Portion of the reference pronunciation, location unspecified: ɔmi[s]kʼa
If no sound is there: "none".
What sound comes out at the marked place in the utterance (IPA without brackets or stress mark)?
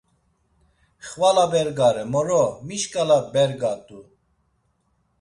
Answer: ʃ